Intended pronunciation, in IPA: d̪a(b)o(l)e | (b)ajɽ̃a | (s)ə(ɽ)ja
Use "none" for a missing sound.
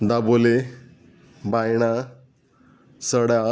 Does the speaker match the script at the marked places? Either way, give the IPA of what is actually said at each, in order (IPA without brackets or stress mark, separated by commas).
b, l, b, s, ɽ